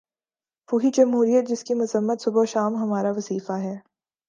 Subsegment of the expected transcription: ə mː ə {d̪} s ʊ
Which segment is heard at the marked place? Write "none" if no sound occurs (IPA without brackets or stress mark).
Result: t̪